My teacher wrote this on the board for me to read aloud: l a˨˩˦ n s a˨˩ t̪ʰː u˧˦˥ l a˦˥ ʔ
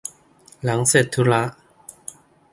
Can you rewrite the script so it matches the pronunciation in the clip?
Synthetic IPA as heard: l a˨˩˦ ŋ s e˨˩ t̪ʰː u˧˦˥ l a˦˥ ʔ